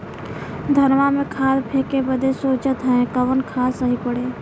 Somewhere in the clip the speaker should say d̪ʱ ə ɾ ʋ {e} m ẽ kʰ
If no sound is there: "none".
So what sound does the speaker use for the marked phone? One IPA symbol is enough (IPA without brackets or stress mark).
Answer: a